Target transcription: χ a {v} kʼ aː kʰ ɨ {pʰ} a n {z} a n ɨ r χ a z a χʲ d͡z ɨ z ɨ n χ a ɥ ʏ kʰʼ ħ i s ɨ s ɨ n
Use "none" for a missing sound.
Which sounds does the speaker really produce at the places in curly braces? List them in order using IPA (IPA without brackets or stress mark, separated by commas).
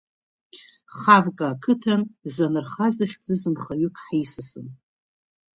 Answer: v, tʰ, z